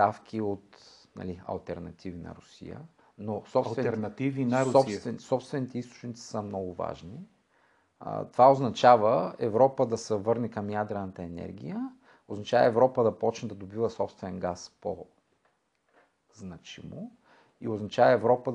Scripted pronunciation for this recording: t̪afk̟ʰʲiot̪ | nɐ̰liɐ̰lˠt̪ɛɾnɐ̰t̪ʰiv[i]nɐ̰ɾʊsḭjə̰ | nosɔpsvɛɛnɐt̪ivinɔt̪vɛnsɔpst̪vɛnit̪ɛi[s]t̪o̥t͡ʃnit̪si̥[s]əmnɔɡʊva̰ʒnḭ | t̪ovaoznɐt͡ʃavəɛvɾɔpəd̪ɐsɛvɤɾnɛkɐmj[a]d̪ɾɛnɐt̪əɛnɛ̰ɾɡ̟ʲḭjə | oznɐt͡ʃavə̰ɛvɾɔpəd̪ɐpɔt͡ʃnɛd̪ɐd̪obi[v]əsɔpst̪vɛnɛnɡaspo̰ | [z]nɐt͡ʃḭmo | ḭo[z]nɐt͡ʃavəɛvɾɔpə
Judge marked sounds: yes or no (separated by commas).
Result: yes, yes, yes, yes, yes, yes, yes